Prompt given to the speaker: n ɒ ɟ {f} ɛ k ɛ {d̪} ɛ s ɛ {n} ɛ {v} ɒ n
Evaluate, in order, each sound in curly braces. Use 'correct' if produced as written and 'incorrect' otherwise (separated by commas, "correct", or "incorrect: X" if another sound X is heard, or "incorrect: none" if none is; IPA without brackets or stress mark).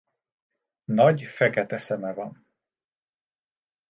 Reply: correct, incorrect: t̪, incorrect: m, correct